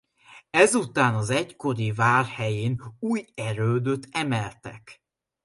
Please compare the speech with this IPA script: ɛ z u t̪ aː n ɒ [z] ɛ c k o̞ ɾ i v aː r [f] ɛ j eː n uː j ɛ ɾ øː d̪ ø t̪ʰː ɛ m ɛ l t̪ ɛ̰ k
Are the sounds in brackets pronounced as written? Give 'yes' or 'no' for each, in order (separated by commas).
yes, no